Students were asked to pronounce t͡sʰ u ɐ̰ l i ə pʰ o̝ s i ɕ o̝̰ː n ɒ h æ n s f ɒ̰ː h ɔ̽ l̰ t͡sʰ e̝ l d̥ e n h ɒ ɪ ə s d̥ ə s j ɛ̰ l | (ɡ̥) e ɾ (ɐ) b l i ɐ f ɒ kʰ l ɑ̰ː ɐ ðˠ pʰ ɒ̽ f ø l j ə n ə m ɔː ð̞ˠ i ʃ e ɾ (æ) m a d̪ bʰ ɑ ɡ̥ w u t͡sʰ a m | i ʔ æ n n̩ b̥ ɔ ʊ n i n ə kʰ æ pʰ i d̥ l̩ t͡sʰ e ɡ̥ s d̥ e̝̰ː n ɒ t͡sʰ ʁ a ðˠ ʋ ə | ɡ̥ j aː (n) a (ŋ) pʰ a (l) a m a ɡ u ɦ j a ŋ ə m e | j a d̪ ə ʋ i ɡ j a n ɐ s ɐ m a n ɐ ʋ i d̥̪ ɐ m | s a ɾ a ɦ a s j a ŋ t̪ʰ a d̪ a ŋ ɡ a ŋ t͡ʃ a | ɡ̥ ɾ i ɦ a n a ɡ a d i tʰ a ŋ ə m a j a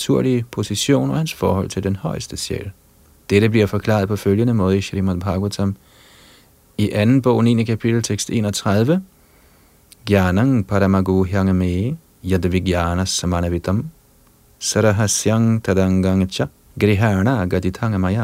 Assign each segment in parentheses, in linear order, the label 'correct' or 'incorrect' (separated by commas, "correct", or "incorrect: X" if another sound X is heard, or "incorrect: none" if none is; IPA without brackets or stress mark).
incorrect: d̥, incorrect: ə, incorrect: i, correct, correct, incorrect: ɾ